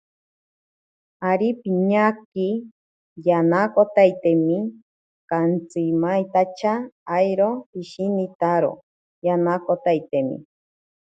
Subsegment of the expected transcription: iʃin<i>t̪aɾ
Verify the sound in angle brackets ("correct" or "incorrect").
correct